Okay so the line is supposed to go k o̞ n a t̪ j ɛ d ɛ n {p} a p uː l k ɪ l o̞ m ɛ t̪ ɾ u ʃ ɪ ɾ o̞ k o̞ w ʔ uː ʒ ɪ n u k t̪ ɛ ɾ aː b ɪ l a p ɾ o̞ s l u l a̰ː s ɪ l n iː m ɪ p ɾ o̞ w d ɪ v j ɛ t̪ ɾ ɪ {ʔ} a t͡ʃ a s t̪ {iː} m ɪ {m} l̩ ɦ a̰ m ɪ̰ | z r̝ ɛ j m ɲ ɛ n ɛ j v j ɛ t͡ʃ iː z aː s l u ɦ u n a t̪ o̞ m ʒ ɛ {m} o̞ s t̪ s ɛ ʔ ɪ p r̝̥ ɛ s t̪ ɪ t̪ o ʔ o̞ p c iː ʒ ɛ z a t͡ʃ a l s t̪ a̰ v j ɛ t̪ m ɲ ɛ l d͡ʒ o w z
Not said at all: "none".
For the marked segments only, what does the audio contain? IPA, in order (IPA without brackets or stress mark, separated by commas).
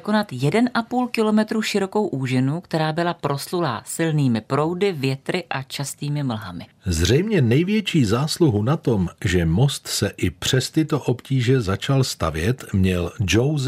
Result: ʔ, ʔ, iː, m, m